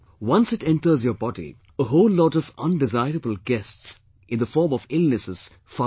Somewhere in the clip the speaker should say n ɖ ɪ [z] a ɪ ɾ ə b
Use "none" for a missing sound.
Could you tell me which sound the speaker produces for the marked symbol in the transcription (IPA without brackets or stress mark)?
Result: z